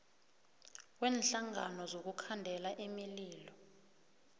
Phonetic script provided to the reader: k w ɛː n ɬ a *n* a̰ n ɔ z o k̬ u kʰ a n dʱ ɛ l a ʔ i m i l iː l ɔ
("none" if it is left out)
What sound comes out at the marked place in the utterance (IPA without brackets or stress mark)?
ŋ